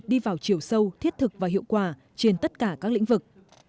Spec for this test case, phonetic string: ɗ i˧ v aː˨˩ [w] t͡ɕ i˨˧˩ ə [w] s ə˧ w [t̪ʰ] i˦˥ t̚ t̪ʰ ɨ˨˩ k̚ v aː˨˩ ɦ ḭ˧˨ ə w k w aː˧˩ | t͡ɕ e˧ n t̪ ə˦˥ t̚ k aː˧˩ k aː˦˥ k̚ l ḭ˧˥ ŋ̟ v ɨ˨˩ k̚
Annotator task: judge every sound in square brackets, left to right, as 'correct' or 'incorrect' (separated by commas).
correct, correct, correct